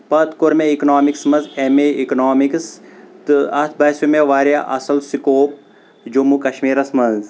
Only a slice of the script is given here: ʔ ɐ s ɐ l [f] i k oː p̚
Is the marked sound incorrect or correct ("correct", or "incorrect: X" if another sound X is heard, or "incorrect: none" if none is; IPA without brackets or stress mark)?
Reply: incorrect: s